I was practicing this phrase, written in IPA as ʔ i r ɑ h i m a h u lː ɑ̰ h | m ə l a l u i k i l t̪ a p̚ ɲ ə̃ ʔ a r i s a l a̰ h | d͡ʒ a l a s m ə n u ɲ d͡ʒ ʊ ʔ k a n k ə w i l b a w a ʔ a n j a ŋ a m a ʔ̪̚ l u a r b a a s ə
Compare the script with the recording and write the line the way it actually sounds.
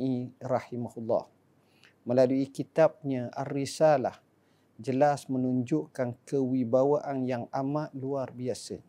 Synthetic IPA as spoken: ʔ i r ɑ h i m a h u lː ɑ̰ h | m ə l a l u i k i t̪ a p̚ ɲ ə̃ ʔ a r i s a l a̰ h | d͡ʒ ə l a s m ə n u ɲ d͡ʒ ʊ ʔ k a n k ə w i b a w a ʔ a n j a ŋ a m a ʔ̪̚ l u a r b i a s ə